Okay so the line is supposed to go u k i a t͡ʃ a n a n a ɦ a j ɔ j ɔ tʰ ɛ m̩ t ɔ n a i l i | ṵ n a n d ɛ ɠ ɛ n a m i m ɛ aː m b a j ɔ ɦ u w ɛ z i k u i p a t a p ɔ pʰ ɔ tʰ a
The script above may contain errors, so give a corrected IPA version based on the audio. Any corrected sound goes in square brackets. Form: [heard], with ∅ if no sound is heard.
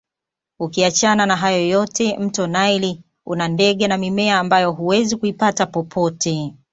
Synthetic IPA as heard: u k i a t͡ʃ a n a n a ɦ a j ɔ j ɔ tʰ ɛ m̩ t ɔ n a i l i | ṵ n a n d ɛ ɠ ɛ n a m i m ɛ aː m b a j ɔ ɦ u w ɛ z i k u i p a t a p ɔ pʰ ɔ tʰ [ɛ]